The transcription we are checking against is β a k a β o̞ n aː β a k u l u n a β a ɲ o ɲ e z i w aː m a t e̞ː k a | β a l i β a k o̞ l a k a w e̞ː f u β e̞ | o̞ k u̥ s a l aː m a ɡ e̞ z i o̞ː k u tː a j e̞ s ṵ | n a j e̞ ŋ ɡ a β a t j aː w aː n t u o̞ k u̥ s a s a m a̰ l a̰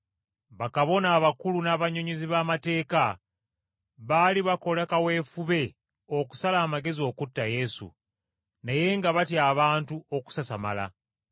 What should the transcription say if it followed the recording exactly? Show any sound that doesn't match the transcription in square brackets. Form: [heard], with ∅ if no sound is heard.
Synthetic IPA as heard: β a k a β o̞ n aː β a k u l u n a β a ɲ o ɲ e z i [β] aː m a t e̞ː k a | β a l i β a k o̞ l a k a w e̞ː f u β e̞ | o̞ k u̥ s a l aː m a ɡ e̞ z i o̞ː k u tː a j e̞ s ṵ | n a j e̞ ŋ ɡ a β a t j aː [β] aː n t u o̞ k u̥ s a s a m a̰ l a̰